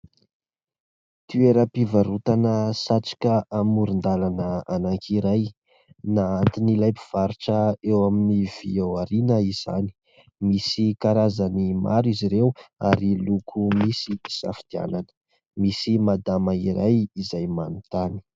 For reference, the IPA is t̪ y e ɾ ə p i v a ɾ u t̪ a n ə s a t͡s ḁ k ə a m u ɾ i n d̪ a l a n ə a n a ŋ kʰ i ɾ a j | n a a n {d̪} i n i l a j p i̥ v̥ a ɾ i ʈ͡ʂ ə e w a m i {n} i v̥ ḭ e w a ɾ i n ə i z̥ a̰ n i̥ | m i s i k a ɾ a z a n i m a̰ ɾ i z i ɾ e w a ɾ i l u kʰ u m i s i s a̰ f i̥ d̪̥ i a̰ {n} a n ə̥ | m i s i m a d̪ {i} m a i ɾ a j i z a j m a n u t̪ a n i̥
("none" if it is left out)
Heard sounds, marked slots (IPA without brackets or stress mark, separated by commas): t̪, n, n, a